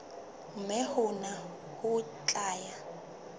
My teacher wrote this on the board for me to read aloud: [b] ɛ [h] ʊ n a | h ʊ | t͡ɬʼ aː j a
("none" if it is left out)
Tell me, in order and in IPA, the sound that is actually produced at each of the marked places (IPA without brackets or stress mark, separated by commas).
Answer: m, h